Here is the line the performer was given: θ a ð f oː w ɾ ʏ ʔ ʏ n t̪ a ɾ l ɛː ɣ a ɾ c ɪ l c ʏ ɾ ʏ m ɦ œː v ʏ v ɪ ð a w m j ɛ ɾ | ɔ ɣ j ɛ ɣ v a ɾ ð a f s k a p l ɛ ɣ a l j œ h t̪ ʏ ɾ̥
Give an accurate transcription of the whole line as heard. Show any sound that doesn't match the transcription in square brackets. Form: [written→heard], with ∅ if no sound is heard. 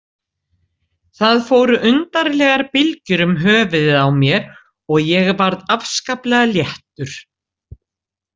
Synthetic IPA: θ a ð f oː w ɾ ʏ ʔ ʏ n t̪ a ɾ l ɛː ɣ a ɾ [c→p] ɪ l c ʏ ɾ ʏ m ɦ œː v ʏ [v→ð] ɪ ð a w m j ɛ ɾ | ɔ ɣ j ɛ ɣ v a ɾ ð a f s k a p l ɛ ɣ a l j [œ→ɛ] h t̪ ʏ ɾ̥

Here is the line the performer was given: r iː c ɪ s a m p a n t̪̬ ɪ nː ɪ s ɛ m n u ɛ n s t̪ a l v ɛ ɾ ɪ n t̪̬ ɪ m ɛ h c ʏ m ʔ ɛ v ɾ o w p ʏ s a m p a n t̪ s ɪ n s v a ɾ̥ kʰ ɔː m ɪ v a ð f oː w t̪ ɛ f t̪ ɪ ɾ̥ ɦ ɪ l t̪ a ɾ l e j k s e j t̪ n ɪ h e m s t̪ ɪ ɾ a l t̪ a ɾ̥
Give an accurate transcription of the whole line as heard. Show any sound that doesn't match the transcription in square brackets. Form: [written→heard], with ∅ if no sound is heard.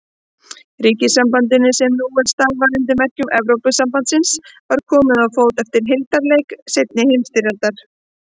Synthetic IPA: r iː c ɪ s a m p a n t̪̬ ɪ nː ɪ s ɛ m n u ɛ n s t̪ a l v [ɛ→a] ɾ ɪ n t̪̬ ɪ m ɛ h c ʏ m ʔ ɛ v ɾ o w p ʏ s a m p a n t̪ s ɪ n s v a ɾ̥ kʰ ɔː m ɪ [v→ð] a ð f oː w t̪ ɛ f t̪ ɪ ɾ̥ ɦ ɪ l t̪ a ɾ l e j k s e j t̪ n ɪ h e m s t̪ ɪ ɾ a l t̪ a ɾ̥

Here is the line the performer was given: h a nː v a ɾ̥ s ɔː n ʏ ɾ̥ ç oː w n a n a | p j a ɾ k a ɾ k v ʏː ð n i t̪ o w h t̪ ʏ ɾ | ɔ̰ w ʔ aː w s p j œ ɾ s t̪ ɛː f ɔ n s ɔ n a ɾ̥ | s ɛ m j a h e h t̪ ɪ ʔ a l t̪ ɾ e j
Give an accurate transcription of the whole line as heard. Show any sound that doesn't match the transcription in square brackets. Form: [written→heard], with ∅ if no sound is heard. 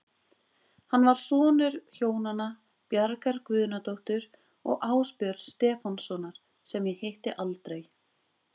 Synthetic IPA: h a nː v a ɾ̥ s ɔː n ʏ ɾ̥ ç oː w n a n a | p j a ɾ k a ɾ k v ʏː ð n [i→a] t̪ o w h t̪ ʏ ɾ | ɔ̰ [w→ɣ] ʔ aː w s p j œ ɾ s t̪ ɛː f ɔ n s ɔ n a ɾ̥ | s ɛ m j [a→ɛ] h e h t̪ ɪ ʔ a l t̪ ɾ e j

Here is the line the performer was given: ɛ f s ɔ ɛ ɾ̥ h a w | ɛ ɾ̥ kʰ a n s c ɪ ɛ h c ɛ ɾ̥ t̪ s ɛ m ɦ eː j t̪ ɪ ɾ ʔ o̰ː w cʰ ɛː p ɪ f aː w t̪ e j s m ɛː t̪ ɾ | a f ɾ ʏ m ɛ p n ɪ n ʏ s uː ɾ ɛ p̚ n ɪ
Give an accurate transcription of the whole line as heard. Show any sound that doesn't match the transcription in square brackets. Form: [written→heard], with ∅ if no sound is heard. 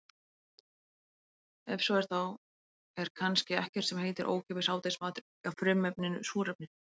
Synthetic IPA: ɛ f s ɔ ɛ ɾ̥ [h→θ] a w | ɛ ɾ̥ kʰ a n s c ɪ ɛ h c ɛ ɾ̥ t̪ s ɛ m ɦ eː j t̪ ɪ ɾ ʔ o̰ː w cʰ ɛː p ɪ [f→s] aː w t̪ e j s m [ɛː→aː] t̪ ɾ | a f ɾ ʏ m ɛ p n ɪ n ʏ s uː ɾ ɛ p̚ n ɪ

